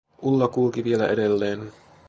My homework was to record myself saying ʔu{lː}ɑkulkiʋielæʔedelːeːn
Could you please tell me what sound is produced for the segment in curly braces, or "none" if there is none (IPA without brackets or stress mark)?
lː